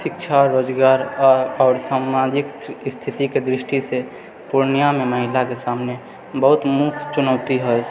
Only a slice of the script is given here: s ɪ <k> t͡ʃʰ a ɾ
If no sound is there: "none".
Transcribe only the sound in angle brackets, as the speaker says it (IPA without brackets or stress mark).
k